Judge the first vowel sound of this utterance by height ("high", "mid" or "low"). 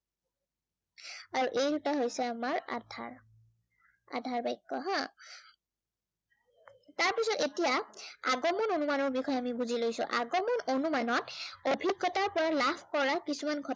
low